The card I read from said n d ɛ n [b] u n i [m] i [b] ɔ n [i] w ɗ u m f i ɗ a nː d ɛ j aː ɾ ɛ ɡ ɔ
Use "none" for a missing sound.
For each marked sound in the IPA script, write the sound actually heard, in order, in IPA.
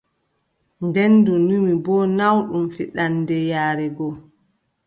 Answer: d, m, b, a

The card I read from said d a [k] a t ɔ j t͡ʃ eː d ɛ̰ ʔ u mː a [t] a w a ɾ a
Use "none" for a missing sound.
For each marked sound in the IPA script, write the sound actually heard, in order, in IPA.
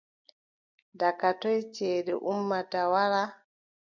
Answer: k, t

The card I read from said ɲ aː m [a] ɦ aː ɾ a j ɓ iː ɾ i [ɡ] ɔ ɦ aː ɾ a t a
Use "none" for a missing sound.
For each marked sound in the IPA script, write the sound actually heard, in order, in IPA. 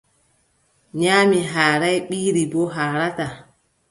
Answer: i, b

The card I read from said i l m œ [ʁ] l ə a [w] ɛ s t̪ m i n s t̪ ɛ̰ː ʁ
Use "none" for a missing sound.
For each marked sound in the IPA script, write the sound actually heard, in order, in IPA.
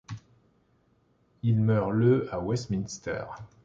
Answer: ʁ, w

